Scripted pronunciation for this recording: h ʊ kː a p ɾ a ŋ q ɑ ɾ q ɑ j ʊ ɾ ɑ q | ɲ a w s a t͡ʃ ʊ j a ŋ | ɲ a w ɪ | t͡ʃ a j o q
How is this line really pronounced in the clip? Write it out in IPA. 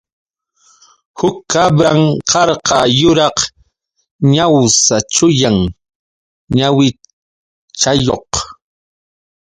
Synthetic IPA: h ʊ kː a b ɾ a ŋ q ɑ ɾ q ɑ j ʊ ɾ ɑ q | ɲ a w s a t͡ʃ ʊ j a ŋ | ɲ a w ɪ | t͡ʃ a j o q

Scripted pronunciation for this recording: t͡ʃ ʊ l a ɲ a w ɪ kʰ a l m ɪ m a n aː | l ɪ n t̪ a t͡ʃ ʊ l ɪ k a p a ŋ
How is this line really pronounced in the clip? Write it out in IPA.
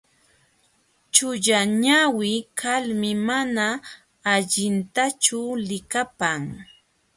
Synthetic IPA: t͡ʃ ʊ ʎ a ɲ a w ɪ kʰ a l m ɪ m a n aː | ʎ ɪ n t̪ a t͡ʃ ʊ l ɪ k a p a ŋ

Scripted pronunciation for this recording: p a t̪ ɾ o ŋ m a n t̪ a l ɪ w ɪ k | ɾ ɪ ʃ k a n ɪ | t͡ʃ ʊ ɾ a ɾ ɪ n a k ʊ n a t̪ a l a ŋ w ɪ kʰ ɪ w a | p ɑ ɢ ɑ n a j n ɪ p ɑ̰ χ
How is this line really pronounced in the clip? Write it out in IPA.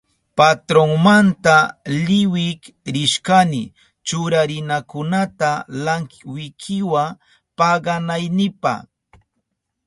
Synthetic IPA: p a t̪ ɾ o ŋ m a n t̪ a l ɪ w ɪ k | ɾ ɪ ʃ k a n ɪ | t͡ʃ ʊ ɾ a ɾ ɪ n a k ʊ n a t̪ a l a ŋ w ɪ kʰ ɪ w a | p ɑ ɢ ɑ n a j n ɪ p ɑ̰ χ

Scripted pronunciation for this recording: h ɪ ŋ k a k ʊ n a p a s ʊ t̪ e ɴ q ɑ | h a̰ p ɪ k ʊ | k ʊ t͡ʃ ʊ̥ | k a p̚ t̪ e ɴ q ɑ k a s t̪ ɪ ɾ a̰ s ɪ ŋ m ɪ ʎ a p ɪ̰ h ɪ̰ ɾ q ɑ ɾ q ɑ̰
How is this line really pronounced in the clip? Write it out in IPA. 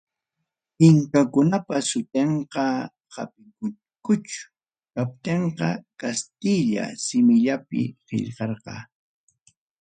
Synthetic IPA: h ɪ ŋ k a k ʊ n a p a s ʊ t̪ e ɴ q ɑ | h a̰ p ɪ k ʊ | k ʊ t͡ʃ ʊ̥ | k a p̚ t̪ e ɴ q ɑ k a s t̪ ɪ ʎ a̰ s ɪ m ɪ ʎ a p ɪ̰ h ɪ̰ ʎ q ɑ ɾ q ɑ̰

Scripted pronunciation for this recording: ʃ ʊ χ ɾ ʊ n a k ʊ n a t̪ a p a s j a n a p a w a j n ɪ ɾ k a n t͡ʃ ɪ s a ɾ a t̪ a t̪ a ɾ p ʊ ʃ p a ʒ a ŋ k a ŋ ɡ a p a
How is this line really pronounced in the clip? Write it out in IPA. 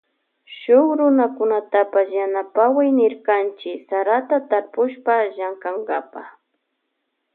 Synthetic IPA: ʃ ʊ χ ɾ ʊ n a k ʊ n a t̪ a p a s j a n a p a w a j n ɪ ɾ k a n t͡ʃ ɪ s a ɾ a t̪ a t̪ a ɾ p ʊ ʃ p a ʒ a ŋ k a ŋ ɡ a p a

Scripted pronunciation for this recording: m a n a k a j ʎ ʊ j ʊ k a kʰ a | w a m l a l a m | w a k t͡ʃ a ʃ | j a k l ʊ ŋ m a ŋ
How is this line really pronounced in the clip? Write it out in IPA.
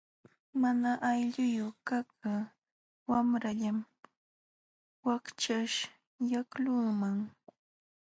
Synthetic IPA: m a n a ʔ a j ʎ ʊ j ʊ k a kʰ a | w a m ɾ a ʎ a m | w a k t͡ʃ a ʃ | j a k l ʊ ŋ m a ŋ

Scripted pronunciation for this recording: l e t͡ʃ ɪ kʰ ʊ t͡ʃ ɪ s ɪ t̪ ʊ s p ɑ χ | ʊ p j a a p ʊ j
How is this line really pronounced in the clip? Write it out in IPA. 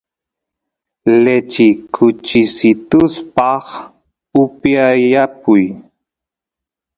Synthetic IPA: l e t͡ʃ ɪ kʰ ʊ t͡ʃ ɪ s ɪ t̪ ʊ s p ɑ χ | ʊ p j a a p ʊ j

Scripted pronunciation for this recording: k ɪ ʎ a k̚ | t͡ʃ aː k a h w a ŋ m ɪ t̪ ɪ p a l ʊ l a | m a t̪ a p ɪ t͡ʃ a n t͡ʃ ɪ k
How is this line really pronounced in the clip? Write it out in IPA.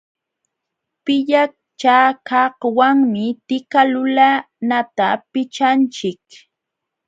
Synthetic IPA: p ɪ ʎ a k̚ | t͡ʃ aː k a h w a ŋ m ɪ t̪ ɪ k a l ʊ l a | n a t̪ a p ɪ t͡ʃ a n t͡ʃ ɪ k

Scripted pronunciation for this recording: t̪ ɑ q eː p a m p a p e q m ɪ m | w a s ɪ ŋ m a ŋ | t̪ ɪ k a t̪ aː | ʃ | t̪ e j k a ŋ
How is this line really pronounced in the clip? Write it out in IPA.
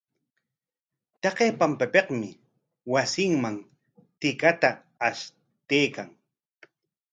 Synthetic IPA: t̪ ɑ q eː p a m p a p e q m ɪ | w a s ɪ ŋ m a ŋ | t̪ ɪ k a t̪ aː | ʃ | t̪ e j k a ŋ

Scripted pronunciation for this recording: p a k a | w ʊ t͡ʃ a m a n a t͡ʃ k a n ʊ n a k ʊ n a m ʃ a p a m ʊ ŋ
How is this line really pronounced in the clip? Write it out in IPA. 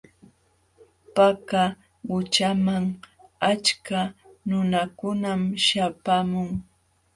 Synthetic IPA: p a k a | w ʊ t͡ʃ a m a ŋ a t͡ʃ k a n ʊ n a k ʊ n a m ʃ a p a m ʊ ŋ

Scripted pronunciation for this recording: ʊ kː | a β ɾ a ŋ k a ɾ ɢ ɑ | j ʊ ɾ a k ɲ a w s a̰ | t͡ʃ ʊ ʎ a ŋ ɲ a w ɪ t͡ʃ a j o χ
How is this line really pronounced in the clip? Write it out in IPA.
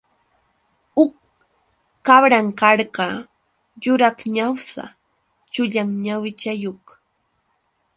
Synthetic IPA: ʊ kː | a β ɾ a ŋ k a ɾ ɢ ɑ | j ʊ ɾ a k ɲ a w s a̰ | t͡ʃ ʊ ʎ a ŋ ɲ a w ɪ t͡ʃ a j o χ

